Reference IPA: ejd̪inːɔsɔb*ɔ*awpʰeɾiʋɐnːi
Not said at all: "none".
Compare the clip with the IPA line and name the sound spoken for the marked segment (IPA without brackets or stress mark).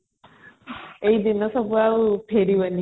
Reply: u